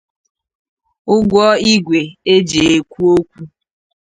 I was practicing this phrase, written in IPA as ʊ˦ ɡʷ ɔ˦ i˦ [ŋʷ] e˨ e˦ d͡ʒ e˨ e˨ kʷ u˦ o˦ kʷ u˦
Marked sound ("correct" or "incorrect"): incorrect